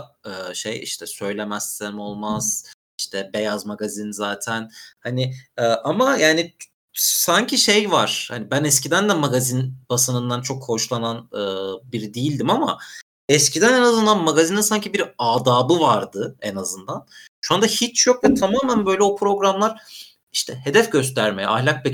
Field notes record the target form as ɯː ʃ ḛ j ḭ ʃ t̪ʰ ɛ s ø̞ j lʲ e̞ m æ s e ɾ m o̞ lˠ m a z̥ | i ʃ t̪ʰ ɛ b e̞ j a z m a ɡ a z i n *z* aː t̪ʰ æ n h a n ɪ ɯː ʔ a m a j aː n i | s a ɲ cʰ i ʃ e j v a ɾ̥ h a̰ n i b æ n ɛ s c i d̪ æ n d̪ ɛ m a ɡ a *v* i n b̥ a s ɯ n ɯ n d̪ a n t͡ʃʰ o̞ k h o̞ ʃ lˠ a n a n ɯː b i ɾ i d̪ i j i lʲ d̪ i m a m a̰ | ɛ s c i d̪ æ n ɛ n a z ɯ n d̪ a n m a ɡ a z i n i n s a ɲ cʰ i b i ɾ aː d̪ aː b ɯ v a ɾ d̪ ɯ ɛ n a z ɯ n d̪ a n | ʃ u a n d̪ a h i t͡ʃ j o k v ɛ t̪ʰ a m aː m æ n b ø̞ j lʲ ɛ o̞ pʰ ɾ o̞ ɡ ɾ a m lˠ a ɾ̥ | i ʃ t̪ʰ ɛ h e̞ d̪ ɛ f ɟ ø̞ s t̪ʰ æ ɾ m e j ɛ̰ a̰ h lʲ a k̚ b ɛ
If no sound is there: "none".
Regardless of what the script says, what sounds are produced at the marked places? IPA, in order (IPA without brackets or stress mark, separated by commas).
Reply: z, z